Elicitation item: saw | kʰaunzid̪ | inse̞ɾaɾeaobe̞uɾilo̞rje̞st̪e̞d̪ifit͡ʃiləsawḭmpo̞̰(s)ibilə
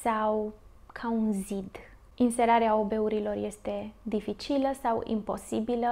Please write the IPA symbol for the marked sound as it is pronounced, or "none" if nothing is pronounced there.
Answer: s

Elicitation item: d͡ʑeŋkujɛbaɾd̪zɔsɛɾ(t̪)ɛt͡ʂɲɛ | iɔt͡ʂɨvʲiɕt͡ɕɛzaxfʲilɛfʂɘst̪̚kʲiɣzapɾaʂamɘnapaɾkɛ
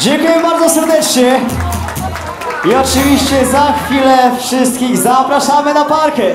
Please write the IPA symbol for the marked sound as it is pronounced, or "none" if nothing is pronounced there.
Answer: d̪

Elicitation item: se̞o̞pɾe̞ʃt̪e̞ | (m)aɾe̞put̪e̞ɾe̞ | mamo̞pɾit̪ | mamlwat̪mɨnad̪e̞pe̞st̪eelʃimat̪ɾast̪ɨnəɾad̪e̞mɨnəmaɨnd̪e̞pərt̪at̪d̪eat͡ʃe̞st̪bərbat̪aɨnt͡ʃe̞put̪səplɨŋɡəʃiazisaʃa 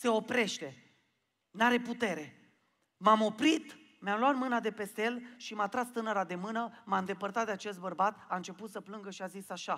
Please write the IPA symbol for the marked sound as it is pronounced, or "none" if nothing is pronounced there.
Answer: n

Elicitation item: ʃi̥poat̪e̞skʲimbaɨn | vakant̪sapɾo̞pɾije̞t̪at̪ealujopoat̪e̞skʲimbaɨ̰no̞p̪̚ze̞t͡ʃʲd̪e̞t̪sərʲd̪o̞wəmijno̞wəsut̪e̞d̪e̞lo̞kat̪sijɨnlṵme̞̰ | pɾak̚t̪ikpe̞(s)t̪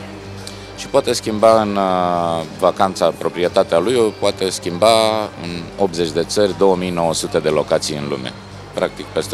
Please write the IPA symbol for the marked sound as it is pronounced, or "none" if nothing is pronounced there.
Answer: s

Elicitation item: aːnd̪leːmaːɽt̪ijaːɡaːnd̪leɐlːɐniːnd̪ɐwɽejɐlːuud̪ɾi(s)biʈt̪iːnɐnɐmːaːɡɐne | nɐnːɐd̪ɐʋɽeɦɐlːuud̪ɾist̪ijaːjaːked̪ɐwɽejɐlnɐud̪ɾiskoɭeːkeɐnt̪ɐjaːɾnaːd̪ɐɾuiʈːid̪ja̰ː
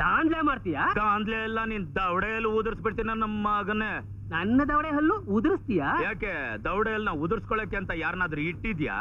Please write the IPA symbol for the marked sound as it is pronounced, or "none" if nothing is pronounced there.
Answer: s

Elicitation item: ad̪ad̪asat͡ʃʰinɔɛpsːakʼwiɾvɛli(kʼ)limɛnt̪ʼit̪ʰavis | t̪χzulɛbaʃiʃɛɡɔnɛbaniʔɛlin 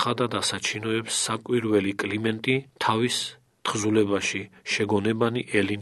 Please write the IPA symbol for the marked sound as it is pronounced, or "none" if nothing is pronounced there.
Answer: kʼ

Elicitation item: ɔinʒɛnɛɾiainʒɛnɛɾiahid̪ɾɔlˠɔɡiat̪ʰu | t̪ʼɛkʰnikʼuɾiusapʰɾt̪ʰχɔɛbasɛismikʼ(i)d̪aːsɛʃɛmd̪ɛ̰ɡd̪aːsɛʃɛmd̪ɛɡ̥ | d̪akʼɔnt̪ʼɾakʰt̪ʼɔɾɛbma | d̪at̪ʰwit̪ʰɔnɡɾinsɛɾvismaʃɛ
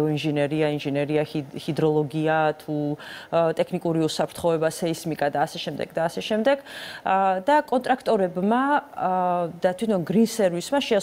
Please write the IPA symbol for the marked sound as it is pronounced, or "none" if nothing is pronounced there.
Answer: a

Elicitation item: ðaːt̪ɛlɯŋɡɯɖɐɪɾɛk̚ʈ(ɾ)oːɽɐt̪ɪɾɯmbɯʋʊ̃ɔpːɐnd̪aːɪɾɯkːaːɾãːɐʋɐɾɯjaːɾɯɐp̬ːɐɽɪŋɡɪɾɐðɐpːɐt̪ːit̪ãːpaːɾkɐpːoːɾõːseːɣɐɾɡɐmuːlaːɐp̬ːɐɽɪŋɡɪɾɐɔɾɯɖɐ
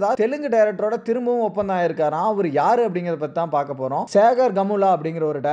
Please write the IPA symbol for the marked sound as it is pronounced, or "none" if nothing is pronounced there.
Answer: ɾ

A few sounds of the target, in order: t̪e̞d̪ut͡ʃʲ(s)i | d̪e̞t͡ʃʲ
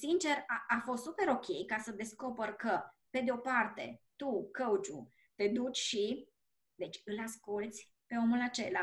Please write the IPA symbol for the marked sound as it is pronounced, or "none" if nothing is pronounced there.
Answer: ʃ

